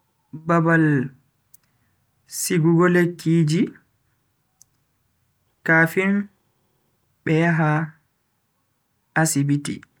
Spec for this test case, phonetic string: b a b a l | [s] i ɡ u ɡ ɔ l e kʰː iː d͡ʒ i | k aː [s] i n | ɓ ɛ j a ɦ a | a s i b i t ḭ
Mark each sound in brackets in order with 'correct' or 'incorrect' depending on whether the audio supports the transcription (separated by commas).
correct, incorrect